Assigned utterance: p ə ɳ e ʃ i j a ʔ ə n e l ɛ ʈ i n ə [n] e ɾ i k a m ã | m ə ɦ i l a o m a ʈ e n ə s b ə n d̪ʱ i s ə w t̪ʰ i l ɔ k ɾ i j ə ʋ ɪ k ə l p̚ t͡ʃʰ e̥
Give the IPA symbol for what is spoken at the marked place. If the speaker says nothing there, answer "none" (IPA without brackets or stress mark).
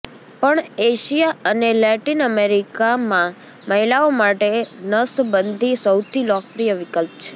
m